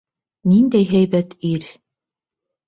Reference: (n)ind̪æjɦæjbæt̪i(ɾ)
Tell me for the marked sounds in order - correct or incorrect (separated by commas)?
correct, correct